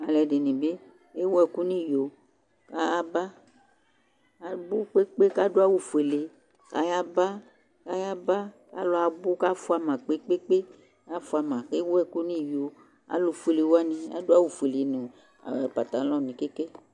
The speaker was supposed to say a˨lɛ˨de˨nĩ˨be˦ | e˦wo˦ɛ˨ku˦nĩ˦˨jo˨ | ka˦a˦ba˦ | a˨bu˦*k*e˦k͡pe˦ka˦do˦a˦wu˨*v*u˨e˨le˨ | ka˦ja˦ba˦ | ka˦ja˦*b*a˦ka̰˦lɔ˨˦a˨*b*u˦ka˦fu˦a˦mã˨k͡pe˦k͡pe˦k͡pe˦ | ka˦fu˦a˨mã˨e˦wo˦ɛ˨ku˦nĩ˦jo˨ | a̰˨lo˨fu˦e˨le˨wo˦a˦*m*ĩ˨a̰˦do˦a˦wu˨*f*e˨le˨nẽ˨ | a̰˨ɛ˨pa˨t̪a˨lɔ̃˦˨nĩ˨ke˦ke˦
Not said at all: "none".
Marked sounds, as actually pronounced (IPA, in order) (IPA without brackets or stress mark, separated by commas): k͡p, f, b, b, n, f